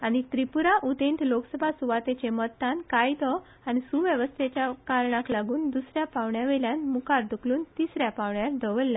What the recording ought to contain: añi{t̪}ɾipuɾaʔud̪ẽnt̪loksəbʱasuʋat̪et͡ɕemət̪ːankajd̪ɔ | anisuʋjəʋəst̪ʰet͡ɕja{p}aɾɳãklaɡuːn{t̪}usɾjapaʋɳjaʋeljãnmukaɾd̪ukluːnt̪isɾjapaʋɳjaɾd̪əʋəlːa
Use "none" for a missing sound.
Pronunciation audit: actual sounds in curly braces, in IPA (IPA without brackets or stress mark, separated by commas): t̪, k, d̪